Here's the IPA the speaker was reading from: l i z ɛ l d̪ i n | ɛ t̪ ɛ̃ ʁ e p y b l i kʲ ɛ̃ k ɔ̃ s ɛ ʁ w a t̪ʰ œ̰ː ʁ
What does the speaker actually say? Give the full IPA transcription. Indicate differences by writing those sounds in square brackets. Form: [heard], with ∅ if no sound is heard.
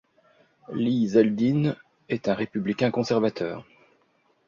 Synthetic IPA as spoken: l i z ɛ l d̪ i n | ɛ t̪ ɛ̃ ʁ e p y b l i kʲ ɛ̃ k ɔ̃ s ɛ ʁ [v] a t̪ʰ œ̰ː ʁ

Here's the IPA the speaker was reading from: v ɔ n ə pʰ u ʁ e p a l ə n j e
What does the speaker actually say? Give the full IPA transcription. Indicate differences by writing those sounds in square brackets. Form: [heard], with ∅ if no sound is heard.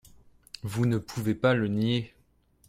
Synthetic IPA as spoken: v [u] n ə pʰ u [v] e p a l ə n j e

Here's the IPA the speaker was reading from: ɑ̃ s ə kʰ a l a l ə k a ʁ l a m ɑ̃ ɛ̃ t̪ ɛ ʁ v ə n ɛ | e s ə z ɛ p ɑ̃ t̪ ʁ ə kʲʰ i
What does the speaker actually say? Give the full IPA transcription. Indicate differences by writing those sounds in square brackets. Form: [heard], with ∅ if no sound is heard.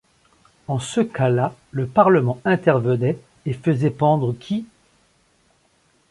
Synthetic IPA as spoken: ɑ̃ s ə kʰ a l a l ə [p] a ʁ l [ə] m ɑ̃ ɛ̃ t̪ ɛ ʁ v ə n ɛ | e [f] ə z ɛ p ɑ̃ [d̪] ʁ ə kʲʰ i

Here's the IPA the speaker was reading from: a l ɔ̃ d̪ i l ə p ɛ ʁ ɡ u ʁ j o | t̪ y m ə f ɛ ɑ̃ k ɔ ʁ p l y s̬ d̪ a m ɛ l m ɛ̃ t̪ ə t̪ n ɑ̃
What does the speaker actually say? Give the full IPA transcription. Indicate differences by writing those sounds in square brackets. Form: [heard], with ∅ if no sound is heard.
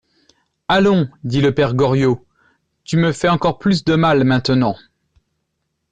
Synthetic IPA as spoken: a l ɔ̃ d̪ i l ə p ɛ ʁ ɡ [ɔ] ʁ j o | t̪ y m ə f ɛ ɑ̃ k ɔ ʁ p l y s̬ d̪ [ə] m [a] l m ɛ̃ t̪ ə [∅] n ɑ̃

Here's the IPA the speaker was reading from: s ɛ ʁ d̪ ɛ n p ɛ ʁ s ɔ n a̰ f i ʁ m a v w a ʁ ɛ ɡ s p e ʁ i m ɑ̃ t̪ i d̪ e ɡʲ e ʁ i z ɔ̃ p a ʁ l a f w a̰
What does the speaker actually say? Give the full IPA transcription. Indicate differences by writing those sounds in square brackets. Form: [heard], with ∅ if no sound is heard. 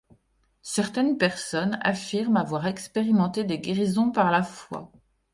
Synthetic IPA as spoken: s ɛ ʁ [t̪] ɛ n p ɛ ʁ s ɔ n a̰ f i ʁ m a v w a ʁ ɛ [k] s p e ʁ i m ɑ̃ t̪ [e] d̪ e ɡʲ e ʁ i z ɔ̃ p a ʁ l a f w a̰

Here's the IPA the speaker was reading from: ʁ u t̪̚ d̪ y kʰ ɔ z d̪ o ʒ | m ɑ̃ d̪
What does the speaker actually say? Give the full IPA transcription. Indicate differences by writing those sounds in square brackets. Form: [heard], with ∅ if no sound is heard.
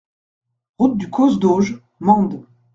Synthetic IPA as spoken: ʁ u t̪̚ d̪ y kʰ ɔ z d̪ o ʒ | m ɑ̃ d̪

